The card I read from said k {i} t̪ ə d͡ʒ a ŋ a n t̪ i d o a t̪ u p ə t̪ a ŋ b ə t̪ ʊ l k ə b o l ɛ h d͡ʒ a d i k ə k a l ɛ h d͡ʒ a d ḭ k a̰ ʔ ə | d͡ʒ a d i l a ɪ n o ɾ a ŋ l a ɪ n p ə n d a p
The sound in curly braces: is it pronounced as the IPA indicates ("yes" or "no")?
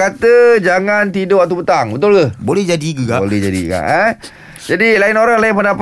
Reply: no